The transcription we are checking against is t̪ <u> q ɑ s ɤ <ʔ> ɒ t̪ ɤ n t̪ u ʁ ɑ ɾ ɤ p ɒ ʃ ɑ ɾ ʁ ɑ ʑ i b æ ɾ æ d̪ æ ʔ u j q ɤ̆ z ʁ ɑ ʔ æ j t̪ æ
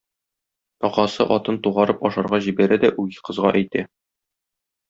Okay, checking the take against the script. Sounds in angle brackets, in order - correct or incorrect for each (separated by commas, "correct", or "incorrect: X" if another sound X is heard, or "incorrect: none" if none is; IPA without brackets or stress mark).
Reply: incorrect: ɒ, correct